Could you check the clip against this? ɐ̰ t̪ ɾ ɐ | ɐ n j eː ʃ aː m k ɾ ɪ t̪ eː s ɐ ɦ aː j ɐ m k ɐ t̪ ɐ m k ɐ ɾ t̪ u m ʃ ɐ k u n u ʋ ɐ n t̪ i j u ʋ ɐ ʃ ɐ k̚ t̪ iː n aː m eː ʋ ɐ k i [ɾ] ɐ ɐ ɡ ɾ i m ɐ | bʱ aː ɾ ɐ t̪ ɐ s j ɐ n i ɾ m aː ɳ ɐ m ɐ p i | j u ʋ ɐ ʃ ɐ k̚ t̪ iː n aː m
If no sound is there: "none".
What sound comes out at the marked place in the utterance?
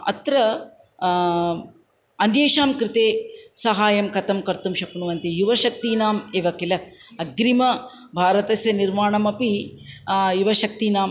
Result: l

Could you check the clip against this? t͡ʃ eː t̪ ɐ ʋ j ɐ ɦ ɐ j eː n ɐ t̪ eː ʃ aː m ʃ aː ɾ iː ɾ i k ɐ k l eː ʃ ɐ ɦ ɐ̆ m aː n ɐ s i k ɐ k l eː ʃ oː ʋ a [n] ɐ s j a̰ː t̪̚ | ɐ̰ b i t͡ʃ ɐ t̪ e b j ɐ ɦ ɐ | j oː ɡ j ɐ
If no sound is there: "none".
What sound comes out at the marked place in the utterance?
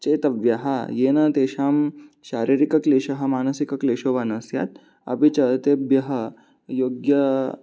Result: n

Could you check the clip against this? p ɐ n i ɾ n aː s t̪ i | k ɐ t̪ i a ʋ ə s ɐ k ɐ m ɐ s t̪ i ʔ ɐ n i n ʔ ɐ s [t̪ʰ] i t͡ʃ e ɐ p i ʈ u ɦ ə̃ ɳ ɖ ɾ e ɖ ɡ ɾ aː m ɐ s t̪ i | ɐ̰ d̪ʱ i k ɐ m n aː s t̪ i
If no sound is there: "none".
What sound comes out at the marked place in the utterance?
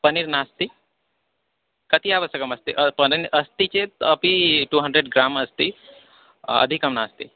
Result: t̪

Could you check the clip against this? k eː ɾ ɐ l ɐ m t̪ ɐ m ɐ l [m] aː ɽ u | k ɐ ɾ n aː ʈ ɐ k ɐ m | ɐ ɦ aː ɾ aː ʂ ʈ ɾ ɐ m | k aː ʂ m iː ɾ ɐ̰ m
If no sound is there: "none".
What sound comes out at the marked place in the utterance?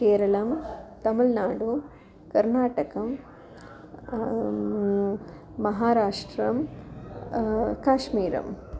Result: n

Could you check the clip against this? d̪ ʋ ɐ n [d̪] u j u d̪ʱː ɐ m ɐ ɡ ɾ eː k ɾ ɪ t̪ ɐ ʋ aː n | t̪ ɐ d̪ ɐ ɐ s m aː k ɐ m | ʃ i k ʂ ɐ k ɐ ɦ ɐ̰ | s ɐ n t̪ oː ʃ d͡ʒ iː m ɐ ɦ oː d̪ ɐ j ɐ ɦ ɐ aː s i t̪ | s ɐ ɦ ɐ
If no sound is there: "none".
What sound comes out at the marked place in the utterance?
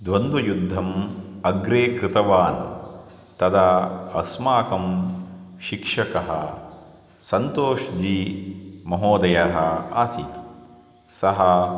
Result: d̪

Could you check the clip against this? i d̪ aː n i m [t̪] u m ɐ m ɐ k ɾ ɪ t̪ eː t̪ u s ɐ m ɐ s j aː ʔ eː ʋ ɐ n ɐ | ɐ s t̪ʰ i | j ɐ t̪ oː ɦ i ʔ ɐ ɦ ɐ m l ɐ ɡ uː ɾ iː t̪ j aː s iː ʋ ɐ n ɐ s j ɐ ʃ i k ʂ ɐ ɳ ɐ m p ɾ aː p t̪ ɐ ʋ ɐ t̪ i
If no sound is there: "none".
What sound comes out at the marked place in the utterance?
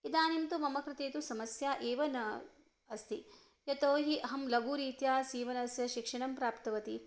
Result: t̪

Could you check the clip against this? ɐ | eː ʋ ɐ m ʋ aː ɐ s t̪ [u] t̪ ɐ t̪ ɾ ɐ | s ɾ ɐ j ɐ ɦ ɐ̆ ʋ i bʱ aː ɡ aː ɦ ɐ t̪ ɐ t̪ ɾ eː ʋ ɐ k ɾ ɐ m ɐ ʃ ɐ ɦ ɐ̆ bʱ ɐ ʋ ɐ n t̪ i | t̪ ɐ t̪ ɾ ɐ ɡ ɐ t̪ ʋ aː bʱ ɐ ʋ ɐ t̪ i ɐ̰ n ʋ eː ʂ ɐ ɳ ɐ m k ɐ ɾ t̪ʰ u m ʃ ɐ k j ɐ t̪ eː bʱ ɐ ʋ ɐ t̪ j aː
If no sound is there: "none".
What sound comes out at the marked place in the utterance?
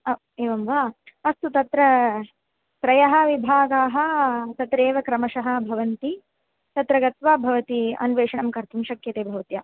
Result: u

